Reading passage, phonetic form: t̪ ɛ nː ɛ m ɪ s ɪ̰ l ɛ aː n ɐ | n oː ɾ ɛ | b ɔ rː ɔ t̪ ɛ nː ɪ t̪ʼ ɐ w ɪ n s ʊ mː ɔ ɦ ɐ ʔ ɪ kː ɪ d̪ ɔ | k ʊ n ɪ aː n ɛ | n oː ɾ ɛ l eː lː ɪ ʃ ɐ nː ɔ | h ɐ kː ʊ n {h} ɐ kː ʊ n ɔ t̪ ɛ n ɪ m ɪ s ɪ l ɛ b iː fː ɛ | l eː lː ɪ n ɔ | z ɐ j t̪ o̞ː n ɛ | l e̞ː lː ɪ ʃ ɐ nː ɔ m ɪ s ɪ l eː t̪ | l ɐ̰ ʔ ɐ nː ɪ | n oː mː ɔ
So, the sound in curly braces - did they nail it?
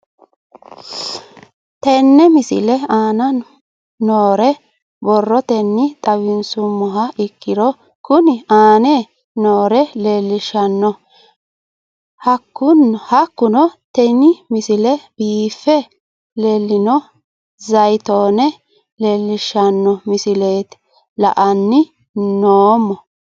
yes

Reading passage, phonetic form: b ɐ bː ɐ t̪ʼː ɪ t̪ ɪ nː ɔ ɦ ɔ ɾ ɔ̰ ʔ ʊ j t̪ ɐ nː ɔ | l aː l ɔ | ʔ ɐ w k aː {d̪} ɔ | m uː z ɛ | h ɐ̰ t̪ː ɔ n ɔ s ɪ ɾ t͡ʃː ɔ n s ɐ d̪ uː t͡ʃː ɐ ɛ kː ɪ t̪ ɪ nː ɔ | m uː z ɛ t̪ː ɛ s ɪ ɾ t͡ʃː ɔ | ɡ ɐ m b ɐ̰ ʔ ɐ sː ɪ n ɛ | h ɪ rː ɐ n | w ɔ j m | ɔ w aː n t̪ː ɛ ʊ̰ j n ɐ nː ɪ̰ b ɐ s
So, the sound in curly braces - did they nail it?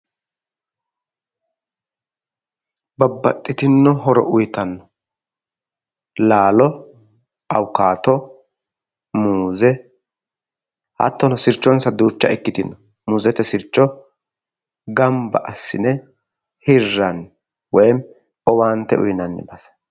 no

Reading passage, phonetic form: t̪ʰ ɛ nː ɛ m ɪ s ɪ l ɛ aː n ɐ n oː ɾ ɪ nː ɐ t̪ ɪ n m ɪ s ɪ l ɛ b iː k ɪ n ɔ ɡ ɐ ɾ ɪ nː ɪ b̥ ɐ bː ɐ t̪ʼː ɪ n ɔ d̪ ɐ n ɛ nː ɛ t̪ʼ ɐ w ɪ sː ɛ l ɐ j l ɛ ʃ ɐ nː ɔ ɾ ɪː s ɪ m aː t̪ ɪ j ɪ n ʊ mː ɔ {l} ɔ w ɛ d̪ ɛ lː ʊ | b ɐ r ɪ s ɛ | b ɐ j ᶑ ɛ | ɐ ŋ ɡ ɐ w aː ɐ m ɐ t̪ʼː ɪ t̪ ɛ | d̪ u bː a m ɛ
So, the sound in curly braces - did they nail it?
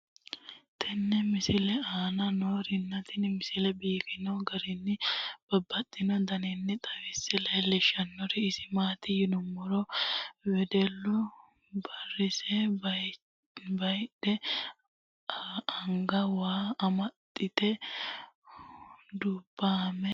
no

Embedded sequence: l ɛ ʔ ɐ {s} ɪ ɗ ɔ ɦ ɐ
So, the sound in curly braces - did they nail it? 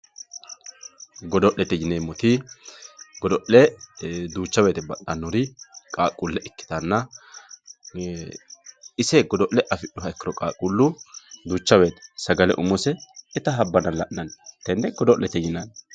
no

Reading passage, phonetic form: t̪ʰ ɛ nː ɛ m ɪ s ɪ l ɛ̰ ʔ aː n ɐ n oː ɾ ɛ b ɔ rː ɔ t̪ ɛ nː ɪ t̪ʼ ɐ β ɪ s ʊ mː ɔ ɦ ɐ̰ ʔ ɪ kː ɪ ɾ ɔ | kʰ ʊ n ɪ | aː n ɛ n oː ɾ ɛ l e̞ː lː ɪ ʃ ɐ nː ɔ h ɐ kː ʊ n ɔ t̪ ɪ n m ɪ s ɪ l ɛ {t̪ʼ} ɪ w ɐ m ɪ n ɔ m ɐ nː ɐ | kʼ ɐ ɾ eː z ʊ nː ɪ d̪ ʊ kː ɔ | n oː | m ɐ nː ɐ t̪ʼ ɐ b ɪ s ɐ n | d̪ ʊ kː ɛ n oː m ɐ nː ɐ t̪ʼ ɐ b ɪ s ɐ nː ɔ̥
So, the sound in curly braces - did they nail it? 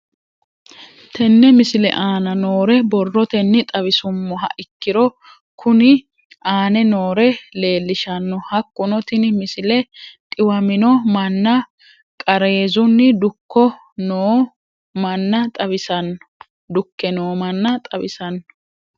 yes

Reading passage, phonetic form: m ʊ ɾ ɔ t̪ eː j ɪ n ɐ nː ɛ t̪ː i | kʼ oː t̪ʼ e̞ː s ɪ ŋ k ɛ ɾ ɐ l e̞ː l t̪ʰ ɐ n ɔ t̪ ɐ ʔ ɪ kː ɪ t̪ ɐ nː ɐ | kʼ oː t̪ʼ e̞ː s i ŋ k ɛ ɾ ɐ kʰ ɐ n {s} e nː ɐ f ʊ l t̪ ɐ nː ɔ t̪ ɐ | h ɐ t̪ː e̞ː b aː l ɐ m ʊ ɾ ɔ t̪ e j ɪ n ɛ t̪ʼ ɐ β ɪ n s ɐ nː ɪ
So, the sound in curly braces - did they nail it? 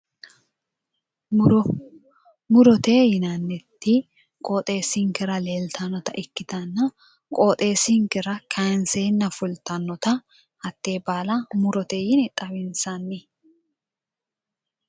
yes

